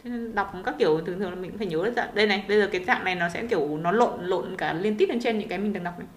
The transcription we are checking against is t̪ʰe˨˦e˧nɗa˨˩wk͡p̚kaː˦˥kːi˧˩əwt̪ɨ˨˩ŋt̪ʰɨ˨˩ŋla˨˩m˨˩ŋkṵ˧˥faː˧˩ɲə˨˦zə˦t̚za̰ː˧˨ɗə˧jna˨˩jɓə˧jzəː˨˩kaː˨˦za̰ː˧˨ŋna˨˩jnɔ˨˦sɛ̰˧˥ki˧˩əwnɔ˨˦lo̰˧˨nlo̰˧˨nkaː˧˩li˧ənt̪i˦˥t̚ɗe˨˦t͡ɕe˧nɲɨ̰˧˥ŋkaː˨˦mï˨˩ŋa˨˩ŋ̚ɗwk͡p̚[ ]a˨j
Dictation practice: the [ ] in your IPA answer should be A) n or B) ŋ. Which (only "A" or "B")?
A